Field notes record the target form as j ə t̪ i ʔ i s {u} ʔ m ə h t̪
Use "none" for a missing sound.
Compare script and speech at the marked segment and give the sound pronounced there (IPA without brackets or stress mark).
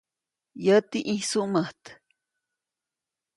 u